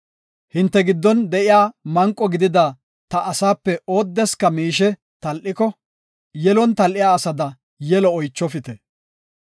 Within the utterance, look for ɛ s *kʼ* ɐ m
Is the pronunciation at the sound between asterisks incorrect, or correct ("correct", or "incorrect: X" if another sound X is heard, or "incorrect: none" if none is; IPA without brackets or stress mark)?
incorrect: k